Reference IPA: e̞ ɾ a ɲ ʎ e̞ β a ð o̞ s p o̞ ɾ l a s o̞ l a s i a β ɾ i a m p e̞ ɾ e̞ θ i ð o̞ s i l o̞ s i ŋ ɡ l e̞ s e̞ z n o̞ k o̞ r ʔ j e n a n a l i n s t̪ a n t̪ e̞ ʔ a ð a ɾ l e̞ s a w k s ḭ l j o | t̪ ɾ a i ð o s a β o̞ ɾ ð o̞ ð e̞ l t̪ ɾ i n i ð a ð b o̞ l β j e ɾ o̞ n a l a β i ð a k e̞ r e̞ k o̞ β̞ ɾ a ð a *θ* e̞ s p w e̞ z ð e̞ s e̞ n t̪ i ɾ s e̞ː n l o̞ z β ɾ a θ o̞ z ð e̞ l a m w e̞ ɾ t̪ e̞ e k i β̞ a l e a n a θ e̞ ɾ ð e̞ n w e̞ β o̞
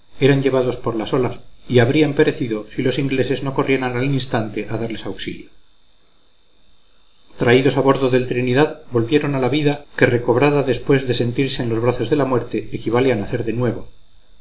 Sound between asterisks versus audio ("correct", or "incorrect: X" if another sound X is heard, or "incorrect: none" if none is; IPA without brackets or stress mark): incorrect: ð